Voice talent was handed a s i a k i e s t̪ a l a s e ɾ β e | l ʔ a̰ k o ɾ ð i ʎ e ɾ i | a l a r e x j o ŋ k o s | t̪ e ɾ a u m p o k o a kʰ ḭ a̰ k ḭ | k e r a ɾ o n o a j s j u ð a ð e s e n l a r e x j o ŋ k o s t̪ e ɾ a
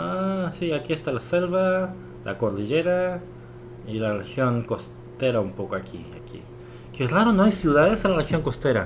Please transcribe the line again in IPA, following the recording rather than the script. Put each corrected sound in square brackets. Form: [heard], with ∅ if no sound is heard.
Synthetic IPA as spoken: a s i a k i e s t̪ a l a s e [l] β [a] | l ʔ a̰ k o ɾ ð i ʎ e ɾ [a] | [i] l a r e x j o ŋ k o s | t̪ e ɾ a u m p o k o a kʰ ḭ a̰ k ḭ | k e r a ɾ o n o a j s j u ð a ð e s e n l a r e x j o ŋ k o s t̪ e ɾ a

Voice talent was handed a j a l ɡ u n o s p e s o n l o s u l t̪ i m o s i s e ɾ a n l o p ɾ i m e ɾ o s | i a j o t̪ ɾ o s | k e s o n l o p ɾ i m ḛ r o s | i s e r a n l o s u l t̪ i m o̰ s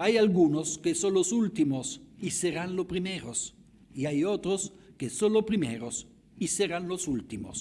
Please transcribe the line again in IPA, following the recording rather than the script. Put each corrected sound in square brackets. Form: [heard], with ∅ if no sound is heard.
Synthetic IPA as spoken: a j a l ɡ u n o s [k] e s o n l o s u l t̪ i m o s i s e ɾ a n l o p ɾ i m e ɾ o s | i a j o t̪ ɾ o s | k e s o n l o p ɾ i m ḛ [ɾ] o s | i s e [ɾ] a n l o s u l t̪ i m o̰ s

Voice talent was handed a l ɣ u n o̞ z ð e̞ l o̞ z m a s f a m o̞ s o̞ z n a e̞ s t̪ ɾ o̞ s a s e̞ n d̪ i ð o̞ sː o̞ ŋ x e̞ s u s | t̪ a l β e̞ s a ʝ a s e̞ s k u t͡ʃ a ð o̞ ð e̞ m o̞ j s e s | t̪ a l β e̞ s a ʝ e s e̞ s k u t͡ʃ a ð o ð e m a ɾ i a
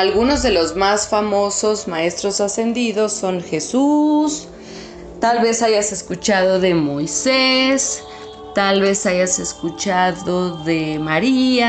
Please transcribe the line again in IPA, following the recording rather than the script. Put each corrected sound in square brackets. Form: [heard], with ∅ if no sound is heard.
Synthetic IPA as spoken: a l ɣ u n o̞ z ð e̞ l o̞ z m a s f a m o̞ s o̞ z [m] a e̞ s t̪ ɾ o̞ s a s e̞ n d̪ i ð o̞ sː o̞ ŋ x e̞ s u s | t̪ a l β e̞ s a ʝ a s e̞ s k u t͡ʃ a ð o̞ ð e̞ m o̞ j s e s | t̪ a l β e̞ s a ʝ [a] s e̞ s k u t͡ʃ a ð o ð e m a ɾ i a

